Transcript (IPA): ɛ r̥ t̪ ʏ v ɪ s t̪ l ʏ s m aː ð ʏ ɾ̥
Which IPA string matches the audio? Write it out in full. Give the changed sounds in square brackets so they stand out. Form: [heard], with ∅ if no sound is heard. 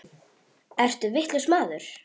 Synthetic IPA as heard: ɛ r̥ t̪ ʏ v ɪ [h] t̪ l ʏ s m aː ð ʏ ɾ̥